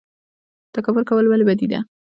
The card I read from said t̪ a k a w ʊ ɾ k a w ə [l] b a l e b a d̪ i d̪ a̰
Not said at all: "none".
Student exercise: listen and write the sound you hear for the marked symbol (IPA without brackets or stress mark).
l